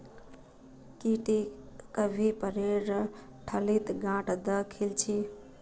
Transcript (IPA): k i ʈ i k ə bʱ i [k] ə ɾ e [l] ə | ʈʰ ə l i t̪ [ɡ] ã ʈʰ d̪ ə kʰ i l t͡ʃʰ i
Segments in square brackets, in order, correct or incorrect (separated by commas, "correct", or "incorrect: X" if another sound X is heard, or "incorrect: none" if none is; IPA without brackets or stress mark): incorrect: p, incorrect: ɾ, correct